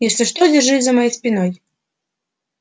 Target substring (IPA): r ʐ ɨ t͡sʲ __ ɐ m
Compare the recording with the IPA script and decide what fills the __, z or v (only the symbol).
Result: z